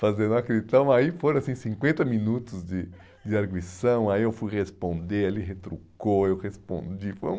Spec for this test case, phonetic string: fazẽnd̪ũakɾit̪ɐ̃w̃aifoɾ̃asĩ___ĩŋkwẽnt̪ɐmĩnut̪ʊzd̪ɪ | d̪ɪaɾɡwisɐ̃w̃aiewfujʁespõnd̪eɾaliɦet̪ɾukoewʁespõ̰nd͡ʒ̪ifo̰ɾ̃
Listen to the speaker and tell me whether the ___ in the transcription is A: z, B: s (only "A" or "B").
B